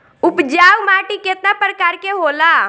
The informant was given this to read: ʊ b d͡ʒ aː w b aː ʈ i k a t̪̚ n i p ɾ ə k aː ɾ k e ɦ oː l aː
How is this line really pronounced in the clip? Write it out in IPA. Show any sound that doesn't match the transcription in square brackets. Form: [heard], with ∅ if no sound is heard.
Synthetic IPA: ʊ [p] d͡ʒ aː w [m] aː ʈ i k [e] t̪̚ n [a] p ɾ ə k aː ɾ k e ɦ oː l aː